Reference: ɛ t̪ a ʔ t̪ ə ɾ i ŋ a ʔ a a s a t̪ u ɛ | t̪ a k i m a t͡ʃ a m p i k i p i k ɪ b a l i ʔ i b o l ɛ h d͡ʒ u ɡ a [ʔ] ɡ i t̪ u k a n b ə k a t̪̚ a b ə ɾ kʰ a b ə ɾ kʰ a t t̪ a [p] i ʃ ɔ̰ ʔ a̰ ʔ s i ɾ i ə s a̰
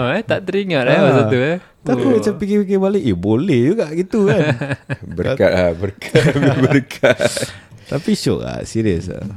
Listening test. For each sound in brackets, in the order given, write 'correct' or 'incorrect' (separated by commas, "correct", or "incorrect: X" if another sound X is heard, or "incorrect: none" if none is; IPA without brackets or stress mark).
correct, correct